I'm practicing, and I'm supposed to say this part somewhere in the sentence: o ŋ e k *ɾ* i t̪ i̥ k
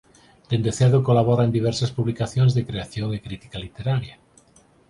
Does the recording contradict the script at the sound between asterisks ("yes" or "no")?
no